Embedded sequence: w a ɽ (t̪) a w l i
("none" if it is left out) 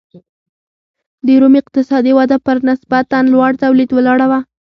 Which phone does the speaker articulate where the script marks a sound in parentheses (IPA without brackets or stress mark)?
t̪